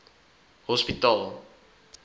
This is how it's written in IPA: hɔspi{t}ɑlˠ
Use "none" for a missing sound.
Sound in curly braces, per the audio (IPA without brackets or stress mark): t